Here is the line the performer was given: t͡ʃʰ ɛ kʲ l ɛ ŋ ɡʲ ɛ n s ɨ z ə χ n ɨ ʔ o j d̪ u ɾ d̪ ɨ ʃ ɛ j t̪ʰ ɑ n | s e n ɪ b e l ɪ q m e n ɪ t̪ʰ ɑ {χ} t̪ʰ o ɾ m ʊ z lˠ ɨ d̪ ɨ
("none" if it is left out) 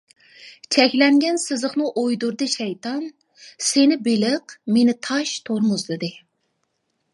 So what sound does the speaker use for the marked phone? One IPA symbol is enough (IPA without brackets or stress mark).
ʃ